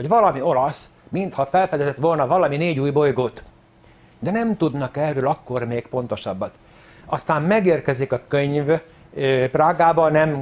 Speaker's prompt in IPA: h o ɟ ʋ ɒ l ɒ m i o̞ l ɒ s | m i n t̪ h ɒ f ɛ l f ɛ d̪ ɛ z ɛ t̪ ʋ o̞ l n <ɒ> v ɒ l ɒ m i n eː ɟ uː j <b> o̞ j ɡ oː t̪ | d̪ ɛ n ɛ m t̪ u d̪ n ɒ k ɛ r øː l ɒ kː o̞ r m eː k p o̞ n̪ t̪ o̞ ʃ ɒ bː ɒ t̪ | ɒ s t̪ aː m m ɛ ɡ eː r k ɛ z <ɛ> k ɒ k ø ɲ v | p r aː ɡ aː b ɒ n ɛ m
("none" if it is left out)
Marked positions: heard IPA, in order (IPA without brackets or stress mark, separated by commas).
ɒ, b, i